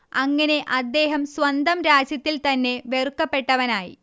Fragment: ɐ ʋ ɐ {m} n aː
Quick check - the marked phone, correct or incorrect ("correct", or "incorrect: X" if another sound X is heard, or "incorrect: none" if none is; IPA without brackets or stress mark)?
incorrect: none